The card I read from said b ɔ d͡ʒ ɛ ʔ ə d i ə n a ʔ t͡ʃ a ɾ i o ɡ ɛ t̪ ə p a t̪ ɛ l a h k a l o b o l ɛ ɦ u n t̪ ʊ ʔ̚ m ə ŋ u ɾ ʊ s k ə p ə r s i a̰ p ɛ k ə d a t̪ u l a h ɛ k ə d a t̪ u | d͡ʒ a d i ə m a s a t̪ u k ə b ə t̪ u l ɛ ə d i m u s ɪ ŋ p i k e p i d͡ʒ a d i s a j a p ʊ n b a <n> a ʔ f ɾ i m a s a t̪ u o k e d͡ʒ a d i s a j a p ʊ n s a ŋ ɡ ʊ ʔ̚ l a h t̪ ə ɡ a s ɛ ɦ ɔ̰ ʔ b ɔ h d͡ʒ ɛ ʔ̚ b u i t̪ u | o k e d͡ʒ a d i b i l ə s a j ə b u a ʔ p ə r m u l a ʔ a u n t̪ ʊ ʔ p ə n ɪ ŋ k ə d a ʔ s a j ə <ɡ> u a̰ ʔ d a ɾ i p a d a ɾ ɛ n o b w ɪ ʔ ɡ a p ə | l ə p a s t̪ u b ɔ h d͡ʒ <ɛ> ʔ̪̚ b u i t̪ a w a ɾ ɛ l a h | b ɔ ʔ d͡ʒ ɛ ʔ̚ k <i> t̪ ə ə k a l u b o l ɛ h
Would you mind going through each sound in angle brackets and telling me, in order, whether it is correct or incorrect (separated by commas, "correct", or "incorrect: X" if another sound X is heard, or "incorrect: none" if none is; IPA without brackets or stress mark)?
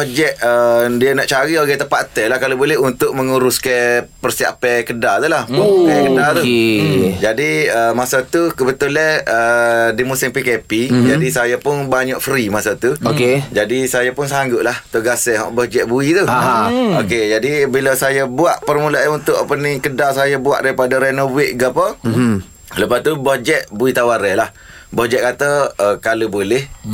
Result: incorrect: ɲ, incorrect: b, correct, incorrect: a